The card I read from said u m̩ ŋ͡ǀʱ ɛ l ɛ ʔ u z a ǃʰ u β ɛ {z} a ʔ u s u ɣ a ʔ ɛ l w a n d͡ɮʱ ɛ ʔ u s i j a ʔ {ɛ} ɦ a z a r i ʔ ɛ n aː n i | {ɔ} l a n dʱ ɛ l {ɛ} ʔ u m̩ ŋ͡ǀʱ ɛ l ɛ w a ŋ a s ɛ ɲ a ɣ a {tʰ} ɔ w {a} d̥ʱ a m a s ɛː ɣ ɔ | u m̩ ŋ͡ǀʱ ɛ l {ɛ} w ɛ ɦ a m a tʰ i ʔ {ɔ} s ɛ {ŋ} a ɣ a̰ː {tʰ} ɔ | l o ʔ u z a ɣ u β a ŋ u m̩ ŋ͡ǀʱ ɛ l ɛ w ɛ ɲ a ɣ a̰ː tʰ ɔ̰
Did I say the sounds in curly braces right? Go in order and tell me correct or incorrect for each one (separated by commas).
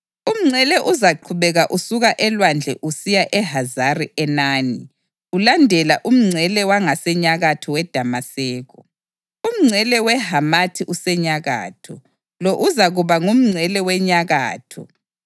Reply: incorrect, correct, incorrect, incorrect, correct, incorrect, correct, incorrect, incorrect, correct